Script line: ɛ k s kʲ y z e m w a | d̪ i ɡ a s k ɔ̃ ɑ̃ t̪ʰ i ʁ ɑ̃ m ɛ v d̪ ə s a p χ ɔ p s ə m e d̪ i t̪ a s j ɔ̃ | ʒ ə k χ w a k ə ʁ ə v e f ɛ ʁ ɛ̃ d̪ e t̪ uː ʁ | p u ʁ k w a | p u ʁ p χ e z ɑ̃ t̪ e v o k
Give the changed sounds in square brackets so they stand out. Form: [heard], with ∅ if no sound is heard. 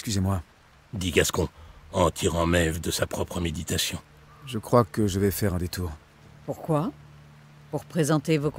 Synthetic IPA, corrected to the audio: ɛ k s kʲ y z e m w a | d̪ i ɡ a s k ɔ̃ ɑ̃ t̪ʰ i ʁ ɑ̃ m ɛ v d̪ ə s a p χ ɔ p [χ] ə m e d̪ i t̪ a s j ɔ̃ | ʒ ə k χ w a k ə [ʒ] ə v [ɛ] f ɛ ʁ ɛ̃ d̪ e t̪ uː ʁ | p u ʁ k w a | p u ʁ p χ e z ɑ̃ t̪ e v o k